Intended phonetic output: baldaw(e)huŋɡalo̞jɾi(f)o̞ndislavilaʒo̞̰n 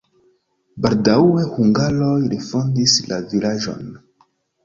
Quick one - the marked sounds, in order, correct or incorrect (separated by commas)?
correct, correct